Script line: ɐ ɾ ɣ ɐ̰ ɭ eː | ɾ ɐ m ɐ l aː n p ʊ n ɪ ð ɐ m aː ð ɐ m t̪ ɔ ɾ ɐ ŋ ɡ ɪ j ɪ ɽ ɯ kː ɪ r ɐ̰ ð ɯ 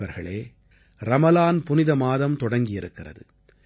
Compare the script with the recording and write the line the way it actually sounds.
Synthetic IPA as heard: ɐ ɾ ɣ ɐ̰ ɭ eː | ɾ ɐ m ɐ l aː n p ʊ n ɪ ð ɐ m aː ð ɐ m t̪ ɔ ɽ ɐ ŋ ɡ ɪ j ɪ ɾ ɯ kː ɪ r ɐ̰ ð ɯ